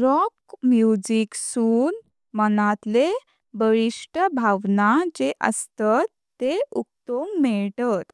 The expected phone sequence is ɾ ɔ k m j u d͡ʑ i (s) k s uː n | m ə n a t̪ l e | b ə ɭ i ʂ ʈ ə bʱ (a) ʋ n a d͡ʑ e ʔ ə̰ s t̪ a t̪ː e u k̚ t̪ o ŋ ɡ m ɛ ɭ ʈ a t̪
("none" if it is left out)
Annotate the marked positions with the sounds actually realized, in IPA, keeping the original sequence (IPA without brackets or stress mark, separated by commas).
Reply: none, a